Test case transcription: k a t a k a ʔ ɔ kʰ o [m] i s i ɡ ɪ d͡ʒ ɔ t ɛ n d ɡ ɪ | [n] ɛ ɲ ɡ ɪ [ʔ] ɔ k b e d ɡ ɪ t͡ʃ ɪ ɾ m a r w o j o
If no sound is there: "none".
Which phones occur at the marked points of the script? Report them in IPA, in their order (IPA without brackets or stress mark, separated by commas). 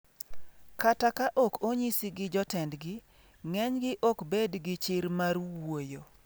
ɲ, ŋ, ʔ